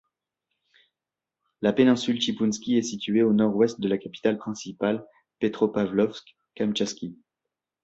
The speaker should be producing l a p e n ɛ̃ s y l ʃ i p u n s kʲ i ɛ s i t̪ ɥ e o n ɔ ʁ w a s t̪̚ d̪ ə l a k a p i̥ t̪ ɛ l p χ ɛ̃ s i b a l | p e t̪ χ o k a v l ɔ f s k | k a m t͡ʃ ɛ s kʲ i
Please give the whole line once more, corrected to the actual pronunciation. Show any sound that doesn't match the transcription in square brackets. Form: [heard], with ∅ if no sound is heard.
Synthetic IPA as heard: l a p e n ɛ̃ s y l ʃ i p u n s kʲ i ɛ s i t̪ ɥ e o n ɔ ʁ w [ɛ] s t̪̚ d̪ ə l a k a p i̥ t̪ [a] l p χ ɛ̃ s i [p] a l | p e t̪ χ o [p] a v l ɔ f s k | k a m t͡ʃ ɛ s kʲ i